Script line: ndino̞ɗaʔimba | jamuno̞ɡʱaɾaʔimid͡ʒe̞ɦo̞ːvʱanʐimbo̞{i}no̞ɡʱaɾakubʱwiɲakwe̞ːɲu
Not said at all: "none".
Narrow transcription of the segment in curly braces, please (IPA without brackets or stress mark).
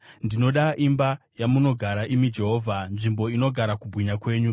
i